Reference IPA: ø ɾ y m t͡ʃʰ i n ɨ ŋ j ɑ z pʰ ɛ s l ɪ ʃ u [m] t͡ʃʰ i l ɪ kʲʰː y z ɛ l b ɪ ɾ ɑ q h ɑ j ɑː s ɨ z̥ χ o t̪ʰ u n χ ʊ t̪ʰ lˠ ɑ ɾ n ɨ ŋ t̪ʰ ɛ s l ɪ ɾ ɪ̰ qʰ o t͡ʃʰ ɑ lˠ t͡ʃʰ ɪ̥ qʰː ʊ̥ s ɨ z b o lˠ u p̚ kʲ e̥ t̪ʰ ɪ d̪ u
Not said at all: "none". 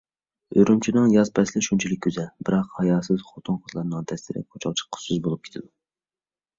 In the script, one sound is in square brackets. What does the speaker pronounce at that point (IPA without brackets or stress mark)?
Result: n